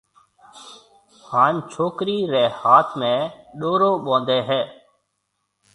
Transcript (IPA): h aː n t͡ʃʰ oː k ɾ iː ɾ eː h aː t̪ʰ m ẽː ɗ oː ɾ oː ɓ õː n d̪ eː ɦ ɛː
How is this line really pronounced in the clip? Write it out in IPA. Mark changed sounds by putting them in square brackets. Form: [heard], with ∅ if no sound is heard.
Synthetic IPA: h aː n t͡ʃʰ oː k ɾ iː ɾ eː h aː t̪ʰ m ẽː ɗ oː ɾ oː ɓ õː n d̪ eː ɦ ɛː